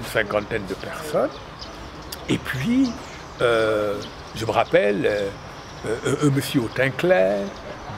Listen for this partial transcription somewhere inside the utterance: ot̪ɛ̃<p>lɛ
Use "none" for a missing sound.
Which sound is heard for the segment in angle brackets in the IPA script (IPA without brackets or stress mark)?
k